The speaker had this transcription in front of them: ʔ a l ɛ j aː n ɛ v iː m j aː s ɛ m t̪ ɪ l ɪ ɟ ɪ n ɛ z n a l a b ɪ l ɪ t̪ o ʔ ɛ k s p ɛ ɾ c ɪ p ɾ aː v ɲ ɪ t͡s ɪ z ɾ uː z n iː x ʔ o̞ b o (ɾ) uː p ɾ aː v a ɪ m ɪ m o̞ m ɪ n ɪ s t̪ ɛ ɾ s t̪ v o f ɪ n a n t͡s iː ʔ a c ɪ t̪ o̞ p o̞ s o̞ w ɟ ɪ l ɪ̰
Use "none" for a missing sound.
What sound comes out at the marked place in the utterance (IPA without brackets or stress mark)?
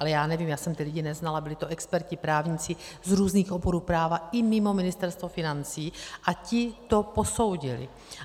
ɾ